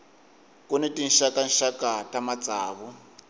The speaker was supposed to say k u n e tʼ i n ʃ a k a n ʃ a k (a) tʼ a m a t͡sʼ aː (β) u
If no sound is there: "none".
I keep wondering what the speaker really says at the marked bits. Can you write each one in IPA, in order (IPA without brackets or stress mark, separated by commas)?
a, β